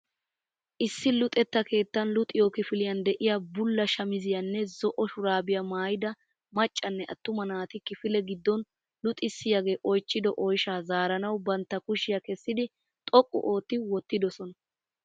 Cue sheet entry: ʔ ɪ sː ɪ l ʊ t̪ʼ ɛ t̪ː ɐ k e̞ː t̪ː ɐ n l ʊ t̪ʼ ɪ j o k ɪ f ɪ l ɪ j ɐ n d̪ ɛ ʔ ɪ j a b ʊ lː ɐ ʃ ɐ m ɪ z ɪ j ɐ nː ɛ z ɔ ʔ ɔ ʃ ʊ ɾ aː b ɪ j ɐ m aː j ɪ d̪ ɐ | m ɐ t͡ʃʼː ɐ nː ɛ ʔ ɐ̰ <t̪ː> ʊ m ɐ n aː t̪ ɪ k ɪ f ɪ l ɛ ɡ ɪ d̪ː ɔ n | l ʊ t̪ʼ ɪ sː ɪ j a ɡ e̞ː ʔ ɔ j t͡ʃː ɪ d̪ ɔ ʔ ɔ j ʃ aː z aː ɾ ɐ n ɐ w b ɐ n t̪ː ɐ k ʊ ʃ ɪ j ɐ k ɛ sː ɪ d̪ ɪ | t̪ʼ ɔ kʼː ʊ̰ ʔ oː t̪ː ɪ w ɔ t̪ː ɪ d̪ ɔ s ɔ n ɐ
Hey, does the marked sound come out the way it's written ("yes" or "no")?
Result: yes